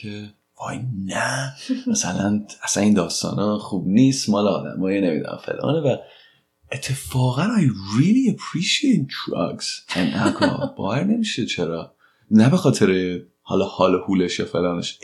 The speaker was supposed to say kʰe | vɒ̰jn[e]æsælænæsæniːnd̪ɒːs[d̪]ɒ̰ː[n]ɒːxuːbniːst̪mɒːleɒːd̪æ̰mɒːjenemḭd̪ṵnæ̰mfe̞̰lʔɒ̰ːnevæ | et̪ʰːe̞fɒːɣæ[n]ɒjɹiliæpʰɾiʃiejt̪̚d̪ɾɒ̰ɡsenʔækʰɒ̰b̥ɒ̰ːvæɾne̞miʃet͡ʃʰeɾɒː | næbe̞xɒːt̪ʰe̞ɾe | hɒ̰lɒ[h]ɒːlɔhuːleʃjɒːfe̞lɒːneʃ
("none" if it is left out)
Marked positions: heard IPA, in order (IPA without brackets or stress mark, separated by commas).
æ, t̪, n, n, h